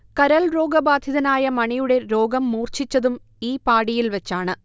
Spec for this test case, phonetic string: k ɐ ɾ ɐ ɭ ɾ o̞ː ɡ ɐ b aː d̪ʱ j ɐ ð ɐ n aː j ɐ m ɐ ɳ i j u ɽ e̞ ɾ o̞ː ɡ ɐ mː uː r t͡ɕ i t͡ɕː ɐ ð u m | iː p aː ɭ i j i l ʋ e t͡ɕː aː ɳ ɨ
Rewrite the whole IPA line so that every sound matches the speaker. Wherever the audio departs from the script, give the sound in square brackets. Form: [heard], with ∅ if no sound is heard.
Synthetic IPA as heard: k ɐ ɾ ɐ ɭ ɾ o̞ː ɡ ɐ b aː d̪ʱ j ɐ ð ɐ n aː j ɐ m ɐ ɳ i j u ɽ e̞ ɾ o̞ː ɡ ɐ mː uː r t͡ɕ i t͡ɕː ɐ ð u m | iː p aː [ɽ] i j i l ʋ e t͡ɕː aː ɳ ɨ